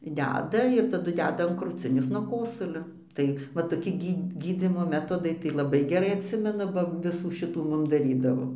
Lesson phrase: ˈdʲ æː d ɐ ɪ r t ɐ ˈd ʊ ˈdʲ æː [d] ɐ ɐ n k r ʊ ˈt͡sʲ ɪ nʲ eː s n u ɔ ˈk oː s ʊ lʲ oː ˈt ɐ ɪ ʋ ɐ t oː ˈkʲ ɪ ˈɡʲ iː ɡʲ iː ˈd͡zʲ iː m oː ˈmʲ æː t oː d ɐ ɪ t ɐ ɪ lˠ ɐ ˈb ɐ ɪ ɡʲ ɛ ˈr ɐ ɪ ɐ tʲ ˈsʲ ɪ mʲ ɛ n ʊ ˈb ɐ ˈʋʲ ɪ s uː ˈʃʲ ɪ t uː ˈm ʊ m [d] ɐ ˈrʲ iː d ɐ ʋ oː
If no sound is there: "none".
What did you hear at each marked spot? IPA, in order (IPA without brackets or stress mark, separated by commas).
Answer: d, d